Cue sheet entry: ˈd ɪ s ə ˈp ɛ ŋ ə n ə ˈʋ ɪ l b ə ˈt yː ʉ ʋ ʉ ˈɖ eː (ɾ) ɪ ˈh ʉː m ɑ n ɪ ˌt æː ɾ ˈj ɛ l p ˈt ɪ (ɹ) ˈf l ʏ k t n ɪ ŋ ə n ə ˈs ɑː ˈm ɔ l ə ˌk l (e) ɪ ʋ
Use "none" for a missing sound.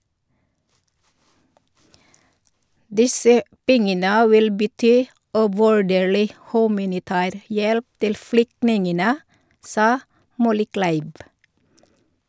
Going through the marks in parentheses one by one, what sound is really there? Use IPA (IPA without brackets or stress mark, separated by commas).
ɭ, l, æ